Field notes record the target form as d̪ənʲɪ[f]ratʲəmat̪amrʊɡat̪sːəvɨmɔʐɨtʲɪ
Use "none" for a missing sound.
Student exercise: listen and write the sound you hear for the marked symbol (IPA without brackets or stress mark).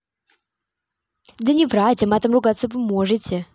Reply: v